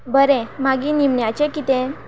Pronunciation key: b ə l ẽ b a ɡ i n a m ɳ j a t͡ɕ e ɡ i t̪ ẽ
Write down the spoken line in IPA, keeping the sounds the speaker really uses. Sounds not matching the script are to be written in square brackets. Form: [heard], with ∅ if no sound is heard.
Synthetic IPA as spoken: b ə [ɾ] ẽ [m] a ɡ i n [i] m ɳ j a t͡ɕ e [k] i t̪ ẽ

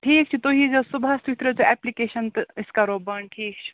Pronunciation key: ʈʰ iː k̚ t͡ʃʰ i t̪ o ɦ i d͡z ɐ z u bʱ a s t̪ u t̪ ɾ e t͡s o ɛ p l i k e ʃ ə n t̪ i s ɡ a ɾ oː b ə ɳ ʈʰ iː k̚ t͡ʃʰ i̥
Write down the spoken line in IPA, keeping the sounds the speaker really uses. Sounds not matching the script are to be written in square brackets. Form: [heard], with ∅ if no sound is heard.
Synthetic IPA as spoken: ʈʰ iː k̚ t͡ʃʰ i t̪ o ɦ i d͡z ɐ [s] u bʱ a s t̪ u t̪ ɾ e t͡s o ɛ p l i k e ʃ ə n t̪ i s [k] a ɾ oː b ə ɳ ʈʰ iː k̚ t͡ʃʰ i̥

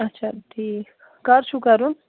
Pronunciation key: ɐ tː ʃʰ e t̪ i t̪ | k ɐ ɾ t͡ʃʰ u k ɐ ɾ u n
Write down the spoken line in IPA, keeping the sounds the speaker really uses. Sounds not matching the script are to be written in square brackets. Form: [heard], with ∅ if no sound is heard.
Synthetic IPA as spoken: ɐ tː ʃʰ [a] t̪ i [∅] | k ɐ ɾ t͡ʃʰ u k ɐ ɾ u n

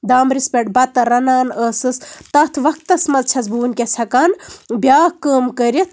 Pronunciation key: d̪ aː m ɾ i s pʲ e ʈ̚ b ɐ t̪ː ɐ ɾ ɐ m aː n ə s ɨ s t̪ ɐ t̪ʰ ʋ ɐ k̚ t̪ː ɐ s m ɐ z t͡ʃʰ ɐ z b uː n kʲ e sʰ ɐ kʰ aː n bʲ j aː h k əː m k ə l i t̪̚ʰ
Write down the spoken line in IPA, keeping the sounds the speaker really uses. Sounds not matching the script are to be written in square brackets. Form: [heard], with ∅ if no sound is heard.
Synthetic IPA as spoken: d̪ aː m ɾ i s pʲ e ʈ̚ b ɐ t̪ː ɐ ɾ ɐ [n] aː n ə s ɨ s t̪ ɐ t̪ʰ ʋ ɐ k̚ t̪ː ɐ s m ɐ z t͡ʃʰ ɐ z b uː n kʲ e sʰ ɐ [k] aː n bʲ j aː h k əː m k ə [ɾ] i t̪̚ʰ

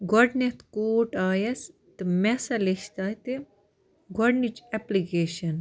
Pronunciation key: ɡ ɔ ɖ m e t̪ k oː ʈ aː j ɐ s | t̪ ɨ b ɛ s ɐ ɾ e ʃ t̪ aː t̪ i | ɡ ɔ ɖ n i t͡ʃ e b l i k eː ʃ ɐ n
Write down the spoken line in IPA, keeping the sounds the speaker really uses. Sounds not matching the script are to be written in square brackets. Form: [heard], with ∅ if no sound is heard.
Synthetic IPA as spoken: ɡ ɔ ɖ [n] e t̪ k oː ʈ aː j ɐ s | t̪ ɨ [m] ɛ s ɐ [l] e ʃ t̪ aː t̪ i | ɡ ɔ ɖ n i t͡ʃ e [p] l i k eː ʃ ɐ n

